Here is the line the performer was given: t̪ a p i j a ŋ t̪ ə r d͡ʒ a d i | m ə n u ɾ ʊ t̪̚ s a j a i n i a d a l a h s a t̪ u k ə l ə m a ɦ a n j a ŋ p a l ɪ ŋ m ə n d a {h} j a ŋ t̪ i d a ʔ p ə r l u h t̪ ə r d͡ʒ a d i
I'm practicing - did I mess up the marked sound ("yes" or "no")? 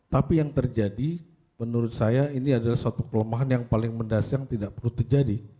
yes